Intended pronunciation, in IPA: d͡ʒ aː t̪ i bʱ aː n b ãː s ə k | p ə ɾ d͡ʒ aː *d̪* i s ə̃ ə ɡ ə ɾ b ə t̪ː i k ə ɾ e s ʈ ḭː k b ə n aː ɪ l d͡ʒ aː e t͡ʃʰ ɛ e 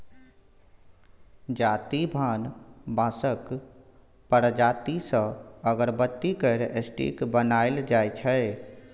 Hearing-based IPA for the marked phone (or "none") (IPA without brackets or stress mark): t̪